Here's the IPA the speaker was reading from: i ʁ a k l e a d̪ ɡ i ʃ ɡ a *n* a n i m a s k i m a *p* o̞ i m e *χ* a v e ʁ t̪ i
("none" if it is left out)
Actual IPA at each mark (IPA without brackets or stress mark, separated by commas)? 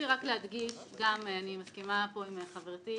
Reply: m, p, χ